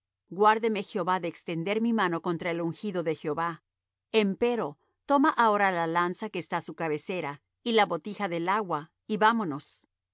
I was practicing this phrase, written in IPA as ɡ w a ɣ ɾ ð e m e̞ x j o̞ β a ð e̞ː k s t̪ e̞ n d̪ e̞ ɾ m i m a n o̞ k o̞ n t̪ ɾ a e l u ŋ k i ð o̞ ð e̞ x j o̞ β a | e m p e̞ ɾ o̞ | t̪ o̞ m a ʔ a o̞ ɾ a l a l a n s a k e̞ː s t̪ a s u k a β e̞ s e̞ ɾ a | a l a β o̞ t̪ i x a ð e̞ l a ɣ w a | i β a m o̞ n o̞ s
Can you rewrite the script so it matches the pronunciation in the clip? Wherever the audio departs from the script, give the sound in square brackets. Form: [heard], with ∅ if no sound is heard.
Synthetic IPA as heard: ɡ w a [∅] ɾ ð e m e̞ x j o̞ β a ð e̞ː k s t̪ e̞ n d̪ e̞ ɾ m i m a n o̞ k o̞ n t̪ ɾ a e l u ŋ [x] i ð o̞ ð e̞ x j o̞ β a | e m p e̞ ɾ o̞ | t̪ o̞ m a ʔ a o̞ ɾ a l a l a n s a k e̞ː s t̪ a s u k a β e̞ s e̞ ɾ a | [i] l a β o̞ t̪ i x a ð e̞ l a ɣ w a | i β a m o̞ n o̞ s

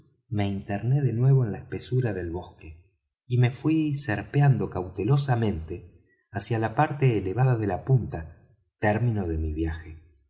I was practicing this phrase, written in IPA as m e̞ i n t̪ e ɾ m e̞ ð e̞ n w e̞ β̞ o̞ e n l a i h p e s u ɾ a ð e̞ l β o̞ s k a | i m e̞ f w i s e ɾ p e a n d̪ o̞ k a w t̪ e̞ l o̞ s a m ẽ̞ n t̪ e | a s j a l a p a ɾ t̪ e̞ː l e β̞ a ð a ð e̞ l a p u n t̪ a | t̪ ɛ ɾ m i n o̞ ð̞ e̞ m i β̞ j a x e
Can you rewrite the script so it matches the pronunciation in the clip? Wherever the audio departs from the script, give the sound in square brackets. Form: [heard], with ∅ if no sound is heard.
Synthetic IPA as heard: m e̞ i n t̪ e ɾ [n] e̞ ð e̞ n w e̞ β̞ o̞ e n l a [e] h p e s u ɾ a ð e̞ l β o̞ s k [e] | i m e̞ f w i s e ɾ p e a n d̪ o̞ k a w t̪ e̞ l o̞ s a m ẽ̞ n t̪ e | a s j a l a p a ɾ t̪ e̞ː l e β̞ a ð a ð e̞ l a p u n t̪ a | t̪ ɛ ɾ m i n o̞ ð̞ e̞ m i β̞ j a x e

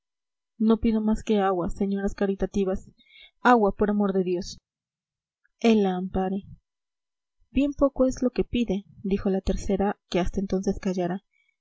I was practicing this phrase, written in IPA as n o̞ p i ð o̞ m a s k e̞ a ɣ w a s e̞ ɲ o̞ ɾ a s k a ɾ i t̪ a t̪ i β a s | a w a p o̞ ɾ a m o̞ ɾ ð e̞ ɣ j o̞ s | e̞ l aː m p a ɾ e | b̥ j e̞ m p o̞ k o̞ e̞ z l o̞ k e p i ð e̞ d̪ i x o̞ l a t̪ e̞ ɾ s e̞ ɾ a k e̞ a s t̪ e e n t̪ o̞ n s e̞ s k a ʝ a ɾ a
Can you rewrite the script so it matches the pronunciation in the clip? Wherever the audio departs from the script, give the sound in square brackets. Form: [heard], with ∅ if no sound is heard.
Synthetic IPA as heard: n o̞ p i ð o̞ m a s k e̞ a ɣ w a s e̞ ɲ o̞ ɾ a s k a ɾ i t̪ a t̪ i β a s | a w a p o̞ ɾ a m o̞ ɾ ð e̞ [ð] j o̞ s | e̞ l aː m p a ɾ e | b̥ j e̞ m p o̞ k o̞ e̞ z l o̞ k e p i ð e̞ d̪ i x o̞ l a t̪ e̞ ɾ s e̞ ɾ a k e̞ a s t̪ [a] e n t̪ o̞ n s e̞ s k a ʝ a ɾ a

